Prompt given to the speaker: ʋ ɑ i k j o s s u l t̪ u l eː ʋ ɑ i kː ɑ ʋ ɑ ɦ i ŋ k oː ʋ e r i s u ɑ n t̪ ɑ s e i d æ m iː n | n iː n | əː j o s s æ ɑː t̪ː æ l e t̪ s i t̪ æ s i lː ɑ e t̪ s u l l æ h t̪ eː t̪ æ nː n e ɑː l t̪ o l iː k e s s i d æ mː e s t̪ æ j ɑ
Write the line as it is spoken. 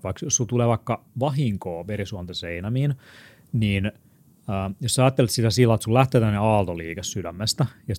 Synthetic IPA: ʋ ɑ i k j o s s u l t̪ u l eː ʋ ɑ i kː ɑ ʋ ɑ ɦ i ŋ k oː ʋ e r i s u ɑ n t̪ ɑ s e i n æ m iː n | n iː n | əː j o s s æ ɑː t̪ː e l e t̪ s i t̪ æ s i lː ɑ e t̪ s u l l æ h t̪ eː t̪ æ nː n e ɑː l t̪ o l iː k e s s y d æ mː e s t̪ æ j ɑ